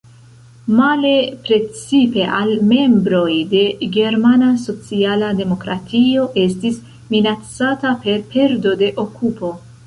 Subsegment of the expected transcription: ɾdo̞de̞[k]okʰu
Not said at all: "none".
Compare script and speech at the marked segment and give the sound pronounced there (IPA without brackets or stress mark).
ʔ